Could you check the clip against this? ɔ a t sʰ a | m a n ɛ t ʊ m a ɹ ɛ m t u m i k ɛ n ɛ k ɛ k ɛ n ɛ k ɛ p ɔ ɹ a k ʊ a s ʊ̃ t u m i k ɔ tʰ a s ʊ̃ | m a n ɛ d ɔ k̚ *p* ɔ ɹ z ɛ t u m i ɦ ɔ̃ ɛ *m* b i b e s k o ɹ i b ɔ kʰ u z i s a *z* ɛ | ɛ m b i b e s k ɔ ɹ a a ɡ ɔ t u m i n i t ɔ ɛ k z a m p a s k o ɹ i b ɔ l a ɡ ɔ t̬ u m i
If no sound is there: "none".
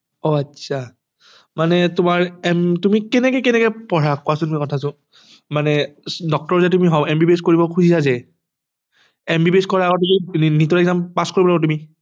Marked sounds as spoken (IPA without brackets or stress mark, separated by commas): t, m, z